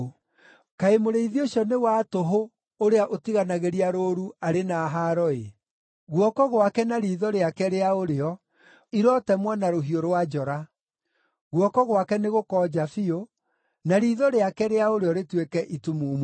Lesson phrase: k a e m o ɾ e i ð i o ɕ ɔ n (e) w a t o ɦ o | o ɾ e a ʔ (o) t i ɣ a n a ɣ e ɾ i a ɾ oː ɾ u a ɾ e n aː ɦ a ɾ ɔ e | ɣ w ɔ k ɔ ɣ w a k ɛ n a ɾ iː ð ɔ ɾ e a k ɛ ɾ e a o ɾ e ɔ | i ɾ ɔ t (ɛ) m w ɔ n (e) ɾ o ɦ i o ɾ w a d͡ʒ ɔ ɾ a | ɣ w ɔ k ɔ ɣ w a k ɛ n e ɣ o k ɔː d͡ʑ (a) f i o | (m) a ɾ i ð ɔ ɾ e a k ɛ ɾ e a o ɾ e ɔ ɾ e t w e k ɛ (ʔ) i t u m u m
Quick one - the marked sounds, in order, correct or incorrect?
correct, correct, correct, incorrect: a, correct, incorrect: n, correct

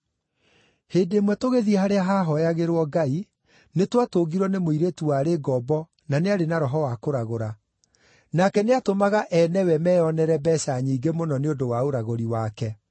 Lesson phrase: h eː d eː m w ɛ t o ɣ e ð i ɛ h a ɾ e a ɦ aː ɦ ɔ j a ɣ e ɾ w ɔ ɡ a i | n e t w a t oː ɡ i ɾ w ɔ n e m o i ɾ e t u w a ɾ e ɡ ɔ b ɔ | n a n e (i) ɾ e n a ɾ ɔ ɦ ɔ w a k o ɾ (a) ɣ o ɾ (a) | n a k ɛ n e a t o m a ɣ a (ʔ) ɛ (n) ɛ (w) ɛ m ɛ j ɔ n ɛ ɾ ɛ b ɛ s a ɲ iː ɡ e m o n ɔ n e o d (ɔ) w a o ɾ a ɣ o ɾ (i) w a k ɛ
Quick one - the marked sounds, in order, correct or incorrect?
incorrect: a, correct, correct, correct, correct, correct, incorrect: o, correct

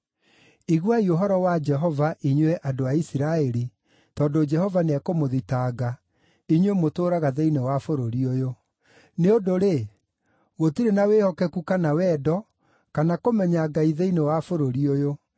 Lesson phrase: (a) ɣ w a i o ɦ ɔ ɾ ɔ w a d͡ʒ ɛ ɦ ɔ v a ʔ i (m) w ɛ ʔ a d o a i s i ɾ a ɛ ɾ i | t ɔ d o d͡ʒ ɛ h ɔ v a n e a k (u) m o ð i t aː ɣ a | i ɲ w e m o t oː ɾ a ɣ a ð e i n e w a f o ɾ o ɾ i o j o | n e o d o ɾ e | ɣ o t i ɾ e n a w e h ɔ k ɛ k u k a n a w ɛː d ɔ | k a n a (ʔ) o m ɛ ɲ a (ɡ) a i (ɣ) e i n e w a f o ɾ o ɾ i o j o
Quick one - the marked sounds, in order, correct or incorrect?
incorrect: i, incorrect: ɲ, incorrect: o, incorrect: k, correct, incorrect: ð

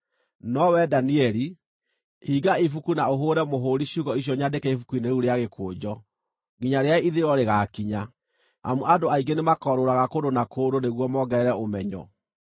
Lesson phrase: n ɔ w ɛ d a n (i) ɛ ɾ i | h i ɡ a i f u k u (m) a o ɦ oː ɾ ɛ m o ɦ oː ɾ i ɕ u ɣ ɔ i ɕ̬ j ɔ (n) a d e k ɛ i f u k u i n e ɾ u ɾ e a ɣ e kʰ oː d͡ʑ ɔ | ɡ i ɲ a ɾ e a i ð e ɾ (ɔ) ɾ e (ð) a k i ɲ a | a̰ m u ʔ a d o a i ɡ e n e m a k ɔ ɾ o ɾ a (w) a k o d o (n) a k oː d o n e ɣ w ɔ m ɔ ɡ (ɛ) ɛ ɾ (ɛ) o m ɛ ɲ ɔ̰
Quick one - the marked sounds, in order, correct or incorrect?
correct, incorrect: n, incorrect: ɲ, correct, incorrect: ɣ, incorrect: ɣ, correct, correct, correct

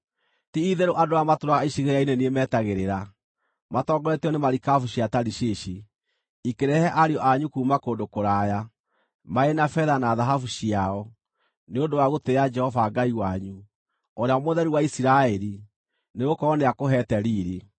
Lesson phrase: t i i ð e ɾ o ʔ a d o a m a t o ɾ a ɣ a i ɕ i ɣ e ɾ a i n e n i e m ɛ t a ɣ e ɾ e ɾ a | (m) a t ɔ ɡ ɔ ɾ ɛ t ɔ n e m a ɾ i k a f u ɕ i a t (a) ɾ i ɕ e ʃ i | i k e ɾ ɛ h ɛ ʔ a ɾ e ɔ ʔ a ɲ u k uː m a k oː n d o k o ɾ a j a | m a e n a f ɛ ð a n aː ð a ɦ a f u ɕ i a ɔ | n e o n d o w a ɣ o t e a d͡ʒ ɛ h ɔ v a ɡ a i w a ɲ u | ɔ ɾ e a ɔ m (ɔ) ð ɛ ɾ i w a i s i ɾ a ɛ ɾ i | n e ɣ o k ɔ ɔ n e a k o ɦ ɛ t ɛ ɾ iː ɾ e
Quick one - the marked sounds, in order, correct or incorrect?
correct, correct, incorrect: o

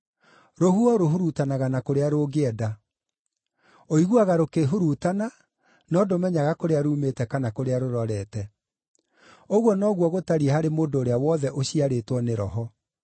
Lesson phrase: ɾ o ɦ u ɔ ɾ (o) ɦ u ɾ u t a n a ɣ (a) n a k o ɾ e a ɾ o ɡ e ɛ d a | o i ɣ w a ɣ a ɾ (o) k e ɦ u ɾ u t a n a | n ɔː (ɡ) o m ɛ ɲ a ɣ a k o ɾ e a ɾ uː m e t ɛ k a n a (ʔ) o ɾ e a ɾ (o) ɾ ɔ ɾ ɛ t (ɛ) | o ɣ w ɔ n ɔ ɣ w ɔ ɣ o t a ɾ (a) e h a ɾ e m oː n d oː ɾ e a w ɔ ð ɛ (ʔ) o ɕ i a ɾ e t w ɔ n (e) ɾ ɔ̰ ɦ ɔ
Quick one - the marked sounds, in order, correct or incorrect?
correct, correct, correct, incorrect: d, incorrect: k, correct, correct, incorrect: i, correct, correct

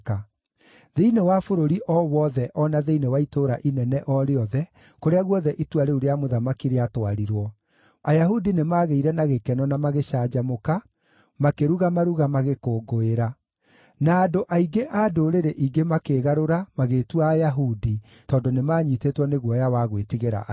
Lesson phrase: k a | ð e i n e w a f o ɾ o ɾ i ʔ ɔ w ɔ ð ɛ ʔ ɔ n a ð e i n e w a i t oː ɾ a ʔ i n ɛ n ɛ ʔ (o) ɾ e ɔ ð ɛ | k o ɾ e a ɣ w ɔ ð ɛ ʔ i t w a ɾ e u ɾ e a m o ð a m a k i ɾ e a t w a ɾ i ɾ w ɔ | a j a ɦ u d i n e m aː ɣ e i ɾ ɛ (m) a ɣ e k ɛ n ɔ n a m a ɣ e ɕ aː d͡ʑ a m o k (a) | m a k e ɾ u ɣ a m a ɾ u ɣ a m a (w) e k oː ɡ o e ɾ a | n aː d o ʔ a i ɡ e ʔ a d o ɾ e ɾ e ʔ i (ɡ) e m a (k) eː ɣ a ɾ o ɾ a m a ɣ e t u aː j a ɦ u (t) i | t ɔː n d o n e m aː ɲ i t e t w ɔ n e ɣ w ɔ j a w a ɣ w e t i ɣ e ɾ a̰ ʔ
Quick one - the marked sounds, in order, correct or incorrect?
incorrect: ɔ, incorrect: n, correct, incorrect: ɣ, correct, correct, incorrect: d

